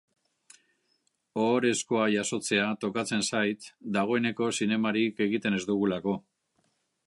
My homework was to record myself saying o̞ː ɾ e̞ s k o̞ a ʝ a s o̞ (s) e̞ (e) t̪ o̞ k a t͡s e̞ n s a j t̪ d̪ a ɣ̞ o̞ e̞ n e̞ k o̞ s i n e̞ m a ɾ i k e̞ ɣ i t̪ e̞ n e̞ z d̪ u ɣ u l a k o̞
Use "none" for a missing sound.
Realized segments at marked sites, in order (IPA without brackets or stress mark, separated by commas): t͡s, a